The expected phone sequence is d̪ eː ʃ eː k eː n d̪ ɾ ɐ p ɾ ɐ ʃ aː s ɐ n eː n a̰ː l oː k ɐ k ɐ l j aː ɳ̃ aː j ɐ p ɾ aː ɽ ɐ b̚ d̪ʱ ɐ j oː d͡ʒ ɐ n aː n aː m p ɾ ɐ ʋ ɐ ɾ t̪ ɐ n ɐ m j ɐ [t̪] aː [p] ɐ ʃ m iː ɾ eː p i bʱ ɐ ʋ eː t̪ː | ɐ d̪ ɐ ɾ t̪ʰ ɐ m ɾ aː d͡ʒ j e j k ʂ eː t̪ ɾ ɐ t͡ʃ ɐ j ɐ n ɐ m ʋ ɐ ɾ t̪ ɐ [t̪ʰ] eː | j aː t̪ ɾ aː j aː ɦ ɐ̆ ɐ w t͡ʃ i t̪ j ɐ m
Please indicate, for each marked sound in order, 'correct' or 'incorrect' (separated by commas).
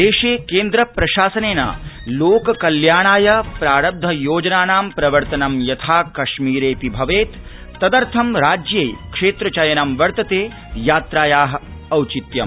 incorrect, incorrect, incorrect